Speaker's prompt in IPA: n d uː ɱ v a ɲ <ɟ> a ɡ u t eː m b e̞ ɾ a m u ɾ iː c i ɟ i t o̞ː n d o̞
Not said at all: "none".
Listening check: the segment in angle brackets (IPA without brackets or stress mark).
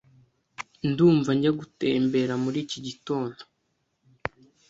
ɟ